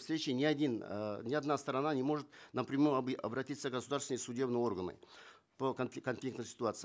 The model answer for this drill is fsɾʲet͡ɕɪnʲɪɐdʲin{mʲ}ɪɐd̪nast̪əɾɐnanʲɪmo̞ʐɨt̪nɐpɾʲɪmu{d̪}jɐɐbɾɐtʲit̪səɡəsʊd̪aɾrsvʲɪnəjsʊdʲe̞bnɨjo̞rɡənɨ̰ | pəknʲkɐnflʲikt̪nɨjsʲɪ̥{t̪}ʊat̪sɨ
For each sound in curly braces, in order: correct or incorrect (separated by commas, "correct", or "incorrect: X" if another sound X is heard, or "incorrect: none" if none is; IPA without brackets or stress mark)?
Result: incorrect: nʲ, incorrect: none, correct